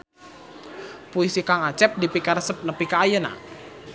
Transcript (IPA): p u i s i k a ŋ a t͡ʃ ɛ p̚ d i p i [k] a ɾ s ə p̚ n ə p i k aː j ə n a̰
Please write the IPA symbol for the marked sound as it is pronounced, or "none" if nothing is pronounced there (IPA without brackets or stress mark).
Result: k